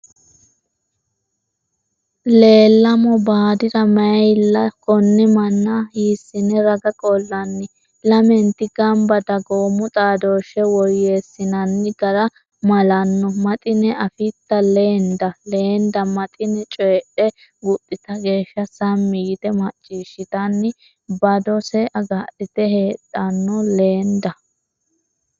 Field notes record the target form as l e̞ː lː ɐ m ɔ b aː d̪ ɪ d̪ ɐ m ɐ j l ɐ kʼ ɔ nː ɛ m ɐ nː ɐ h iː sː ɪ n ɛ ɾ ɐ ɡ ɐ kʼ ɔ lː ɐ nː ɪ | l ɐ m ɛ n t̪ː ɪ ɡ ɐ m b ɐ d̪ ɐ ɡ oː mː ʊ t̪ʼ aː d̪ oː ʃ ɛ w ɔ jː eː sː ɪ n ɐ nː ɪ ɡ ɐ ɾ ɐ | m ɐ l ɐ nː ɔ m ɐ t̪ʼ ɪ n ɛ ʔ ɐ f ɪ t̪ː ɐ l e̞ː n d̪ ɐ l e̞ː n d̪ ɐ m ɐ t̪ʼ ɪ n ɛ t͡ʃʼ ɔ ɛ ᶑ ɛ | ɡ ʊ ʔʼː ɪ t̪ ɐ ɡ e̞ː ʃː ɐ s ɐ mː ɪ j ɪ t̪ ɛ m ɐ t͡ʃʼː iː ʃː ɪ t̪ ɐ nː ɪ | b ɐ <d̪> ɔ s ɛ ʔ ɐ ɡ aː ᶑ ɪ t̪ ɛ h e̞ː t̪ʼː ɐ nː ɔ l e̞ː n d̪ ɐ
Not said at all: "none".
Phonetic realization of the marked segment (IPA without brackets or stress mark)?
d̪